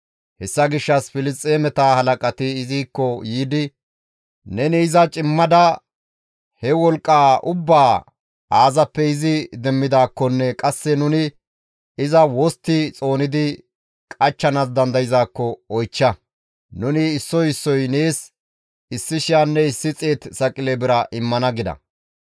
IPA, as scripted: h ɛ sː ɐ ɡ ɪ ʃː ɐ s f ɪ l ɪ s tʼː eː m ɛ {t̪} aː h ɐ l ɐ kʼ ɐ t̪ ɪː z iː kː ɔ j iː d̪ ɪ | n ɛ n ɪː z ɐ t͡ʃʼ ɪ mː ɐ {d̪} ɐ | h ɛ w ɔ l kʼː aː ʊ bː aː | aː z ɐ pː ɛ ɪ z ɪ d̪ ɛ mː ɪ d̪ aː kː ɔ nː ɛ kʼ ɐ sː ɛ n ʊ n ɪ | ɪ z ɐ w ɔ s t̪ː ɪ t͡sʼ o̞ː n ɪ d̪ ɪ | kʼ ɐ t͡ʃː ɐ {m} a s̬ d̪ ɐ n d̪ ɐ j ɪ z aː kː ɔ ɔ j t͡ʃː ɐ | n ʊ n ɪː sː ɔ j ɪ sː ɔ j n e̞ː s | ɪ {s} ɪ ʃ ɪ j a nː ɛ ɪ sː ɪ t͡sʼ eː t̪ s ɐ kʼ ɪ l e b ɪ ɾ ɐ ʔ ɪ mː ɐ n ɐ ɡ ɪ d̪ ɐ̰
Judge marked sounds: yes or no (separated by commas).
yes, yes, no, no